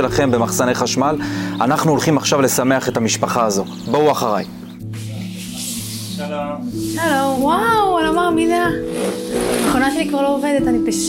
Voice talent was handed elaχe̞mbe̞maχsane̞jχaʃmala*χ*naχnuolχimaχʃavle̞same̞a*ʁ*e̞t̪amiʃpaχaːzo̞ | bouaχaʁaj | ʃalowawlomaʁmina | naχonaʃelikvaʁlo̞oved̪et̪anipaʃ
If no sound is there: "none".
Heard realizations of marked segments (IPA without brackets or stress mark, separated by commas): none, χ